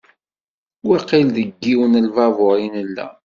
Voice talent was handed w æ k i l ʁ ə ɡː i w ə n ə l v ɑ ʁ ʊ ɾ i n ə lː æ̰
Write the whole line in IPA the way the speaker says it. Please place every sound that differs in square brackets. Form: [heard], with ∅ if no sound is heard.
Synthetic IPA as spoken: w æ [q] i l [ð] ə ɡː i w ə n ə l v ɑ [v] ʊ ɾ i n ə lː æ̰